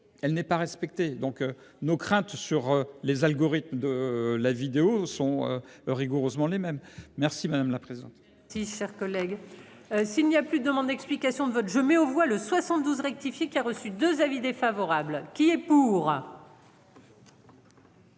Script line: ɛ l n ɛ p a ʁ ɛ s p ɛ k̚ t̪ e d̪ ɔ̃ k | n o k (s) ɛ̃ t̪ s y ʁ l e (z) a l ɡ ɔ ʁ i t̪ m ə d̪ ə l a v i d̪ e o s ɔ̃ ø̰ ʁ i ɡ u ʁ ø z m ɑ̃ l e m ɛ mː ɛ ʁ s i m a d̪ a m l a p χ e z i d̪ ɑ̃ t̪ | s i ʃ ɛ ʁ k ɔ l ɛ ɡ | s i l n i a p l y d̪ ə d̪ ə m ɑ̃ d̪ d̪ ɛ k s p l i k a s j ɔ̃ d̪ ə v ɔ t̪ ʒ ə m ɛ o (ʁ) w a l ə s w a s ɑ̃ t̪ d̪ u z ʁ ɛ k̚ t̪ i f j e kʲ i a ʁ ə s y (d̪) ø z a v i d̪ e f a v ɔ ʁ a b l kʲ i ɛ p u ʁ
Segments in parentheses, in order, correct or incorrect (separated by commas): incorrect, correct, incorrect, correct